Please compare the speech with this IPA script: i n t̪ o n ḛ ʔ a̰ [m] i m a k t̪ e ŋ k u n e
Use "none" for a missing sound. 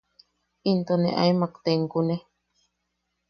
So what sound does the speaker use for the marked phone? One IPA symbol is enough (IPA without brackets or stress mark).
none